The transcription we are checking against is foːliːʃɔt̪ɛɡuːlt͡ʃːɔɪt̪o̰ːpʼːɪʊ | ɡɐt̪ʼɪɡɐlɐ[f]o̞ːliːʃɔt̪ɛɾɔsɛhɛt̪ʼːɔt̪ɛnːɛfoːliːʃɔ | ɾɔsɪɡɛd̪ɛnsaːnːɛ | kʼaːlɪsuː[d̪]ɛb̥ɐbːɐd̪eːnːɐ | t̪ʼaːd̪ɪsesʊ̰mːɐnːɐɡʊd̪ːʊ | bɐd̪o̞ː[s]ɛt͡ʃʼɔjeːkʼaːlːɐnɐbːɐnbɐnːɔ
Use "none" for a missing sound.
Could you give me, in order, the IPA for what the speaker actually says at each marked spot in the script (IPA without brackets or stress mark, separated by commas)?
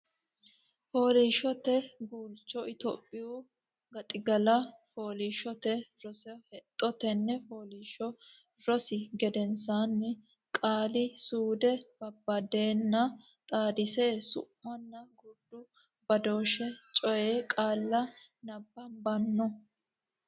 f, d̪, ʃ